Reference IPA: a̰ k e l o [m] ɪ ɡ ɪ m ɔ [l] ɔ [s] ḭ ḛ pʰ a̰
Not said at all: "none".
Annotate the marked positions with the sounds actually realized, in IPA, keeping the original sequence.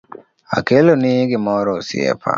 n, ɾ, s

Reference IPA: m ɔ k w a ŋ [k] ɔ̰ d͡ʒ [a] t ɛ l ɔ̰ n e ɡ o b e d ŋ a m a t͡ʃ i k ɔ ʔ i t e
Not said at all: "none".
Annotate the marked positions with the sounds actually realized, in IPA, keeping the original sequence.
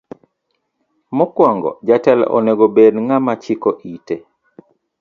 ɡ, a

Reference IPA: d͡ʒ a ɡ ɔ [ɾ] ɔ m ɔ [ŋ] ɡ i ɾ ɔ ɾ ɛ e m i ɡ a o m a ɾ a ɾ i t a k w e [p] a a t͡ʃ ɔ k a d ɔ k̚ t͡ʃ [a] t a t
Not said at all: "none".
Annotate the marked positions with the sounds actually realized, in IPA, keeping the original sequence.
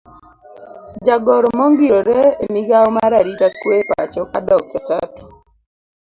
ɾ, ŋ, p, a

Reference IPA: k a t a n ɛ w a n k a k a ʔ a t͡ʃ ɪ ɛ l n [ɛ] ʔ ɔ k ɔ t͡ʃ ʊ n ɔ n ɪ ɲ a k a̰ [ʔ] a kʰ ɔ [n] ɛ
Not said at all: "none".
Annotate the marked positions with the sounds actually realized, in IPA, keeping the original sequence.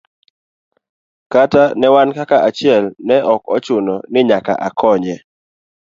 ɛ, ʔ, ɲ

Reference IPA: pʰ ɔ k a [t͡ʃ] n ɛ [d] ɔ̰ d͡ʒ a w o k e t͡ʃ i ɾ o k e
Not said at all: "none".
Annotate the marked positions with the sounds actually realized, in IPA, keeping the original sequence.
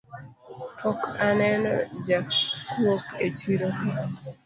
none, n

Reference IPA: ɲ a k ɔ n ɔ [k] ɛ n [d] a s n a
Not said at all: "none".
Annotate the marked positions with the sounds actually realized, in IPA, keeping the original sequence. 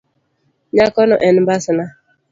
ʔ, b

